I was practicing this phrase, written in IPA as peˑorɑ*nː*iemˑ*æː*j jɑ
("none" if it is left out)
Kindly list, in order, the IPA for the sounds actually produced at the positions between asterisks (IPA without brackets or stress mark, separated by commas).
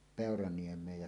n, eː